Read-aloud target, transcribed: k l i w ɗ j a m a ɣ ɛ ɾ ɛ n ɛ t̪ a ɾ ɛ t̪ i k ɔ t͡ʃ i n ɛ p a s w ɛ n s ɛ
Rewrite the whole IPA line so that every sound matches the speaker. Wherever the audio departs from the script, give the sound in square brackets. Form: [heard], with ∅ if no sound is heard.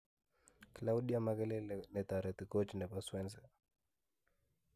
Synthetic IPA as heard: k l [a] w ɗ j a m a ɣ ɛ [l] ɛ n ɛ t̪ a ɾ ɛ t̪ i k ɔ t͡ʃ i n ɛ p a s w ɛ n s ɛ